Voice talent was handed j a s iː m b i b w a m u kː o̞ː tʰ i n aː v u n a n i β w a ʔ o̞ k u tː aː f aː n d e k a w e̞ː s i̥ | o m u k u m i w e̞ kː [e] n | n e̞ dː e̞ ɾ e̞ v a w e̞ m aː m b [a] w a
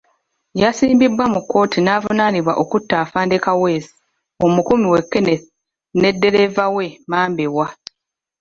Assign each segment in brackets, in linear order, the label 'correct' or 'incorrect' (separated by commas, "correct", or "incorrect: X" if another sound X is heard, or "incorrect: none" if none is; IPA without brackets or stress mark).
correct, incorrect: e